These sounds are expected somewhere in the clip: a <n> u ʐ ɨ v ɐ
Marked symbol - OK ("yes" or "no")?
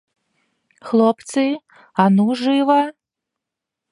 yes